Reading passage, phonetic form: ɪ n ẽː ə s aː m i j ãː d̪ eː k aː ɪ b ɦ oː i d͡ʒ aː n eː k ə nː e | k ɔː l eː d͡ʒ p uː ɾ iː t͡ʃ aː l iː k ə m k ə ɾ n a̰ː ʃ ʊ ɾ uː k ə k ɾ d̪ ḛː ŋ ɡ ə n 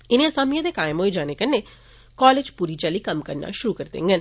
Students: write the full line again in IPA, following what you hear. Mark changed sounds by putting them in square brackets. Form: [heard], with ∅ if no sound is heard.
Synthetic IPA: ɪ n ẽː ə s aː m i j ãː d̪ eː k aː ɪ [m] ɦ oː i d͡ʒ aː n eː k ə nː e | k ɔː l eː d͡ʒ p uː ɾ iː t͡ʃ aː l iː k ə m k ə ɾ n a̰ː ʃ ʊ ɾ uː k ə [∅] ɾ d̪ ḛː ŋ ɡ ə n